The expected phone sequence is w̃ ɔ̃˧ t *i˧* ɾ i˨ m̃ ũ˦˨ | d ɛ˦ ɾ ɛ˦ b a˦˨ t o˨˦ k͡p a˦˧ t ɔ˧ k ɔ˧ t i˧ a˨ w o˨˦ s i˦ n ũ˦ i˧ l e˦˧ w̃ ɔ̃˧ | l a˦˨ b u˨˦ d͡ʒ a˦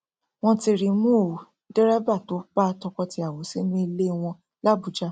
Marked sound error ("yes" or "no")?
no